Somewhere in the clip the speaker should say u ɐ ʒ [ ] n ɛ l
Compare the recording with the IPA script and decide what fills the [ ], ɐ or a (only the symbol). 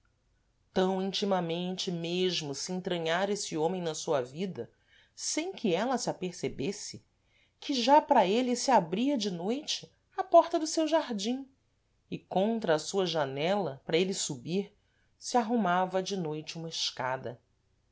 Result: a